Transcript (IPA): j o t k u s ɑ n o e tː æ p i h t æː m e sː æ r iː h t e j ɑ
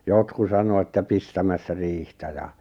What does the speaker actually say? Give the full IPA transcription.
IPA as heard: j o t k u s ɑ n o e tː æ p i s t æ m æ sː æ r iː h t æ j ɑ